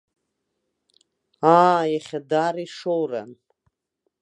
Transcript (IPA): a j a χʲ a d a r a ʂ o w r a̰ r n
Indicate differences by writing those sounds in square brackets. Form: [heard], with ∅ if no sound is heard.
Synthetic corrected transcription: a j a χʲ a d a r [i] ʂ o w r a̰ [∅] n